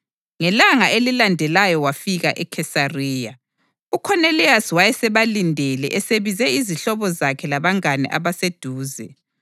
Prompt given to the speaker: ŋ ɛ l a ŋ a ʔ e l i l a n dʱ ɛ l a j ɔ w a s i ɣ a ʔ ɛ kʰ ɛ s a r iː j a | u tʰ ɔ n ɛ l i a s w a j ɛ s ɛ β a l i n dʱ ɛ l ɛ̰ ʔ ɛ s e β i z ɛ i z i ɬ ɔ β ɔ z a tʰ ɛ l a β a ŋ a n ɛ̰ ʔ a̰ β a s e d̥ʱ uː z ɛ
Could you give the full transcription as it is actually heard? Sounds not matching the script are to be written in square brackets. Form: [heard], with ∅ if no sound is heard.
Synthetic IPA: ŋ ɛ l a ŋ a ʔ e l i l a n dʱ ɛ l a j ɔ w a [f] i ɣ a ʔ ɛ kʰ ɛ s a r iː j a | u [kʰ] ɔ n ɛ l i a s w a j ɛ s ɛ β a l i n dʱ ɛ l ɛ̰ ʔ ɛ s e β i z ɛ i z i ɬ ɔ β ɔ z a [kʰ] ɛ l a β a ŋ a n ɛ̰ ʔ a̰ β a s e d̥ʱ uː z ɛ